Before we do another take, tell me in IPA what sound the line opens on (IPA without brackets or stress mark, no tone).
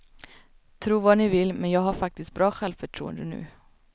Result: t̪ʰ